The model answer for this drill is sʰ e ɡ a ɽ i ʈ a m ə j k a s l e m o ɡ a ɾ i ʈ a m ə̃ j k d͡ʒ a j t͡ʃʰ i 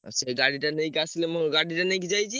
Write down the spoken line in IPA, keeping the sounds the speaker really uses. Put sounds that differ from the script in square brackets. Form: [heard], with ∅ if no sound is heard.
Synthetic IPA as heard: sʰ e ɡ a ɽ i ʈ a [n] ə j k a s l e m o ɡ a [ɽ] i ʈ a [n] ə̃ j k d͡ʒ a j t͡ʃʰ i